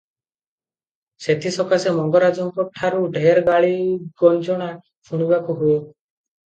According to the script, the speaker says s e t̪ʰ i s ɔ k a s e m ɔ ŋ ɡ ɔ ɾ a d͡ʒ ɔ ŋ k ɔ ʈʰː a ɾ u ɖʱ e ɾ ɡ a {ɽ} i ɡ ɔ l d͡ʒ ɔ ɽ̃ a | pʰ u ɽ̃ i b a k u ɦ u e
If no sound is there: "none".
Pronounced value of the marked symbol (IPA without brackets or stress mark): ɭ